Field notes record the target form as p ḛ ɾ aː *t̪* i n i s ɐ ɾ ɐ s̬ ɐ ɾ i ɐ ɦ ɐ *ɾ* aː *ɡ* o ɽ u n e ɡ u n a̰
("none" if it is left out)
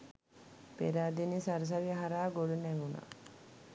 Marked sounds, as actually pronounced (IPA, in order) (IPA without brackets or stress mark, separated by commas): d̪, ɾ, ɡ